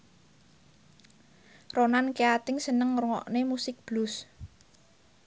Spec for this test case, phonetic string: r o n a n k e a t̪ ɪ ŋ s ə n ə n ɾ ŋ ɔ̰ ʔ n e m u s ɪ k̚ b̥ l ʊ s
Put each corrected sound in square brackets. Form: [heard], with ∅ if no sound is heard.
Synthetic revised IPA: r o n a n k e a t̪ ɪ ŋ s ə n ə [ŋ] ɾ ŋ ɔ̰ ʔ n e m u s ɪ k̚ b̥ l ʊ s